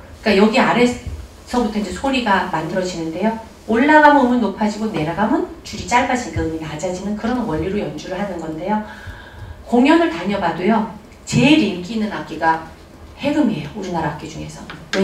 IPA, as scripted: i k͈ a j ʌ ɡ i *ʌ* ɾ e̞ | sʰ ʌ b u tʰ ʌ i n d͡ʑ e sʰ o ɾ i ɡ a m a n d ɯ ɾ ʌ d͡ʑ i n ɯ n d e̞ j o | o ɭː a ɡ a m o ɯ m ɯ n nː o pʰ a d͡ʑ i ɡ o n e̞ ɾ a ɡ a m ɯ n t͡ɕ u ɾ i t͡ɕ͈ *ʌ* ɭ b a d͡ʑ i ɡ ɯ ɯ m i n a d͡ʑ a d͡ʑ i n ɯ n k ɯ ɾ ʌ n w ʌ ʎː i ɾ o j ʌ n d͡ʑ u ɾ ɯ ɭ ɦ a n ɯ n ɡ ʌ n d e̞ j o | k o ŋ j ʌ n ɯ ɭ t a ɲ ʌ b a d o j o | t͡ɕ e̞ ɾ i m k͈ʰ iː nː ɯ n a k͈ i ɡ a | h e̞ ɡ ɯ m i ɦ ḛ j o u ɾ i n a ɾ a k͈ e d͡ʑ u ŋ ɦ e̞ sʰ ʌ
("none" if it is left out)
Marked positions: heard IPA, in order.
a, a

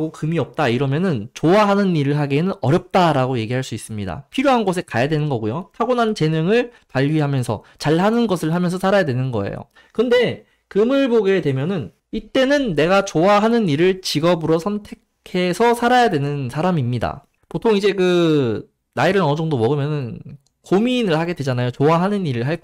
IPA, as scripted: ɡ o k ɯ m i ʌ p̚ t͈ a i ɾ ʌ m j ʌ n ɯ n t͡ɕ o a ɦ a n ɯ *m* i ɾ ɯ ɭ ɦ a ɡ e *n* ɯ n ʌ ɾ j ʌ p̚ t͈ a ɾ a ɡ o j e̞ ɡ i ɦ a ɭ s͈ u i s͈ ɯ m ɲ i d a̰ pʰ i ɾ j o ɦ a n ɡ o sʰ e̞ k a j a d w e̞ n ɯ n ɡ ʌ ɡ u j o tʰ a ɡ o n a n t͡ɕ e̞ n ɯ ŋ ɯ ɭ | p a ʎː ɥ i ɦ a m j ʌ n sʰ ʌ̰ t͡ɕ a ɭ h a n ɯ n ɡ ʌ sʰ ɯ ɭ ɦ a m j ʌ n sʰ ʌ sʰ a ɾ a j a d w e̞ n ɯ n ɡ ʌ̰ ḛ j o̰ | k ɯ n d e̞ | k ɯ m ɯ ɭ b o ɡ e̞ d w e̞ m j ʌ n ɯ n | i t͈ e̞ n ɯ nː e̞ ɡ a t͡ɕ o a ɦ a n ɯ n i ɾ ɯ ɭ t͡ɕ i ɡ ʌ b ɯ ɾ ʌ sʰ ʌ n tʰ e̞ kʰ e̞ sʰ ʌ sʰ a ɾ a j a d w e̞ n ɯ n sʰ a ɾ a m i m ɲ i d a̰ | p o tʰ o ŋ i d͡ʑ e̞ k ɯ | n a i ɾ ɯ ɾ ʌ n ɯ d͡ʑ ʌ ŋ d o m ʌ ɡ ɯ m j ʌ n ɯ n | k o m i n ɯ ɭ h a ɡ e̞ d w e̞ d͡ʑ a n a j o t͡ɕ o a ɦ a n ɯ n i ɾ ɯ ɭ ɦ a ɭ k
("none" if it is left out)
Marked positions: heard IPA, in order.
n, n

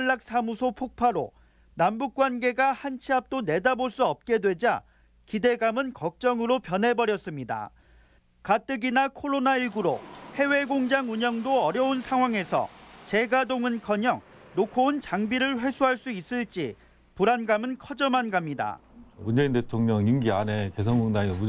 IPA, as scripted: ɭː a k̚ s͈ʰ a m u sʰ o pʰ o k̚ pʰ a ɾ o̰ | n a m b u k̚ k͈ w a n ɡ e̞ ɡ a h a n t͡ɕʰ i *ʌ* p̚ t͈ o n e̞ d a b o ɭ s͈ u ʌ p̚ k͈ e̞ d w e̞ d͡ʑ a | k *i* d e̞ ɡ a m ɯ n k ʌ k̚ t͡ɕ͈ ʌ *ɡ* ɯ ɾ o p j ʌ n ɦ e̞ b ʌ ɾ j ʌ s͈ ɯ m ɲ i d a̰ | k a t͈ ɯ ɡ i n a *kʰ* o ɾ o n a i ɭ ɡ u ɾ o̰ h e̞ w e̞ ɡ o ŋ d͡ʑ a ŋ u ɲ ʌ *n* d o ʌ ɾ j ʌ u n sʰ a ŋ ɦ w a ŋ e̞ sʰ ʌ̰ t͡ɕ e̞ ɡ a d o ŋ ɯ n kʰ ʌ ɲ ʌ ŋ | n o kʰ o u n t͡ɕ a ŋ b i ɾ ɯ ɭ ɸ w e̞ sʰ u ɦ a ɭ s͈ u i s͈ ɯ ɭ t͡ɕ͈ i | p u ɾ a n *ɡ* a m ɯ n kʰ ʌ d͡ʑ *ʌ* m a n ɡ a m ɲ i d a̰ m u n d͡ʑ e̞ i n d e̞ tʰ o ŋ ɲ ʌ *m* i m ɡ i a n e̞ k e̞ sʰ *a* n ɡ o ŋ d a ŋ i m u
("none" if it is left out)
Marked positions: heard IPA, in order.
a, i, ŋ, kʰ, ŋ, ɡ, ʌ, ŋ, ʌ

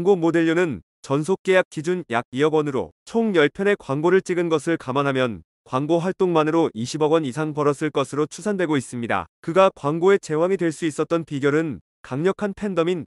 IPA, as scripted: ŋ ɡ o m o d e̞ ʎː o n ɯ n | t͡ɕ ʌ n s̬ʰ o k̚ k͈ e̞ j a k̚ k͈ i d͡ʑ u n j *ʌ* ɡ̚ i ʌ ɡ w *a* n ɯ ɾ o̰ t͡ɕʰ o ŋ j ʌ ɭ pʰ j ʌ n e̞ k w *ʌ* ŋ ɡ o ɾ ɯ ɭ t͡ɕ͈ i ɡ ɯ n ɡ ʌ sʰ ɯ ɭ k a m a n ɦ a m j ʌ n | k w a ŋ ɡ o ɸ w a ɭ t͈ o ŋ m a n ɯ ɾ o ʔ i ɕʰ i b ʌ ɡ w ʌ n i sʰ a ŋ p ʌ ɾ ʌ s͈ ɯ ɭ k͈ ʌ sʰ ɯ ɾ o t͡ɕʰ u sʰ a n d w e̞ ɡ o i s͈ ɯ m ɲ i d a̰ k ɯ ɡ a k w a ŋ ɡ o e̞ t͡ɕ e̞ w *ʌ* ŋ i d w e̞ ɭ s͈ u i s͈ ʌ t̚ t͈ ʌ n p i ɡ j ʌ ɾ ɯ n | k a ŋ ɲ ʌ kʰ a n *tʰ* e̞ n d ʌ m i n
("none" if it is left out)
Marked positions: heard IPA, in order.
a, ʌ, a, a, pʰ

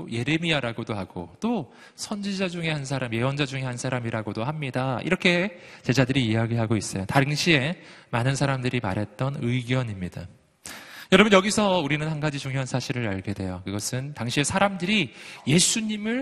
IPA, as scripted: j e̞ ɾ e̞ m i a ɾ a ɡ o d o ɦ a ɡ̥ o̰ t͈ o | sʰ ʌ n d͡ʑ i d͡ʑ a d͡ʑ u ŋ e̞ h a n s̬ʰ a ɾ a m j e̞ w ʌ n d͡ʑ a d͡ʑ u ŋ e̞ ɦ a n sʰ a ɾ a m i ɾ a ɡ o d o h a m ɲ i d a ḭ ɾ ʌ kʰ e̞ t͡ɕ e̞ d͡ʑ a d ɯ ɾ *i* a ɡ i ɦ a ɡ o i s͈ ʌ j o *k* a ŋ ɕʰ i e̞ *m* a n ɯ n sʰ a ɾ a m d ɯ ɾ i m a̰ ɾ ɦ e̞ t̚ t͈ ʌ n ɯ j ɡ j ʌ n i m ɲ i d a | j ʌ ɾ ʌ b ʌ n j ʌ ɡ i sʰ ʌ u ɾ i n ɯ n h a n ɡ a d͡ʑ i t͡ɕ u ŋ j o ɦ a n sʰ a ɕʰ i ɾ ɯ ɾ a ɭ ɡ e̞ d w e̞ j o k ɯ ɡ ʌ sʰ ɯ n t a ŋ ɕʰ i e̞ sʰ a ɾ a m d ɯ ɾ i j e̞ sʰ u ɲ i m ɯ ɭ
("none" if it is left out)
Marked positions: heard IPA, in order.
iː, t, m

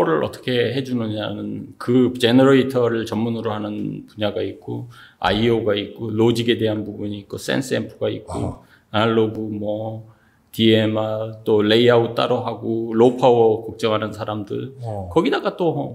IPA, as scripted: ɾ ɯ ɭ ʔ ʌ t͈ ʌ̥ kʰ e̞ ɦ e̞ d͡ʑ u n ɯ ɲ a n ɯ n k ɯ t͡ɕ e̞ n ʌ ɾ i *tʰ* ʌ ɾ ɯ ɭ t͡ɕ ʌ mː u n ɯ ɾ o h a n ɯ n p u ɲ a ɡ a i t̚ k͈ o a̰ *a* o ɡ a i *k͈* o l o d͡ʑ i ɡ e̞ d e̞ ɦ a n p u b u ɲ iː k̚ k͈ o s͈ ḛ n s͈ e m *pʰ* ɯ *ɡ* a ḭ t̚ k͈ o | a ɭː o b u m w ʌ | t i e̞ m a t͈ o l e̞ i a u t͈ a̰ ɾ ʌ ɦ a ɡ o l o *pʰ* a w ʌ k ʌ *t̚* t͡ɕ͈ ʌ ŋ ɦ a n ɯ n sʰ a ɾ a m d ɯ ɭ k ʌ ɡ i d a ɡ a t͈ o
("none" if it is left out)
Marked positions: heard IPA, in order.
tʰ, i, k͈, pʰ, ɡ, pʰ, k̚

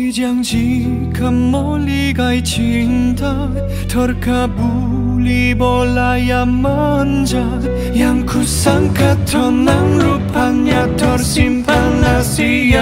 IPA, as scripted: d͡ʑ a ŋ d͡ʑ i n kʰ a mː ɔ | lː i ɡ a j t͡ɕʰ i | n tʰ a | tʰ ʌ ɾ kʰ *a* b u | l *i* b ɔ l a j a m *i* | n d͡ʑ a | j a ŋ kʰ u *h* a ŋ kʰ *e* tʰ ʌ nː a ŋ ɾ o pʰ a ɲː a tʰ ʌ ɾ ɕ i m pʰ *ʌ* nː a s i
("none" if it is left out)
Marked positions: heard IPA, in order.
a, i, a, s, a, a

